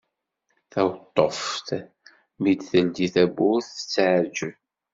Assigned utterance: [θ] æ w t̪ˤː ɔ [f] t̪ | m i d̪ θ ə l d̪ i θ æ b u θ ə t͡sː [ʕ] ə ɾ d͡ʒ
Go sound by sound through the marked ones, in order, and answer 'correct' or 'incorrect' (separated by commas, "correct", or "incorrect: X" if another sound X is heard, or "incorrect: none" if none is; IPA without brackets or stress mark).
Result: correct, correct, correct